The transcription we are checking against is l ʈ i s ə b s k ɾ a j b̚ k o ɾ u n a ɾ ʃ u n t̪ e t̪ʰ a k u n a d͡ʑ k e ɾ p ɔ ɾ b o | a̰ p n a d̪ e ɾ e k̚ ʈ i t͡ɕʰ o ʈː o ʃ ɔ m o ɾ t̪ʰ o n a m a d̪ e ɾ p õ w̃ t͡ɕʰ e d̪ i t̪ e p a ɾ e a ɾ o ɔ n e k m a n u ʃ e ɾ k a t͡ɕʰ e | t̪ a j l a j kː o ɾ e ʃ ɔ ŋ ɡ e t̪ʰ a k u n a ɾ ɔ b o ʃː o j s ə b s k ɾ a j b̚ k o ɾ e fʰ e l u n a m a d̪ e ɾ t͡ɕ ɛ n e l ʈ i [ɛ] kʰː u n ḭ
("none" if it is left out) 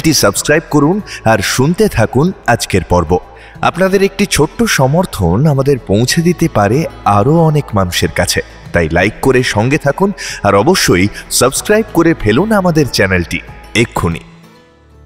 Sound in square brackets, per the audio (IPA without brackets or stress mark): e